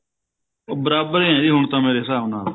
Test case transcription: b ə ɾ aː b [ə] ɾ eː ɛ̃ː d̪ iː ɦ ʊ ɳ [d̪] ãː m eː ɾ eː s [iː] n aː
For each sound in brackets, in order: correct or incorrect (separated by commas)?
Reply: correct, incorrect, incorrect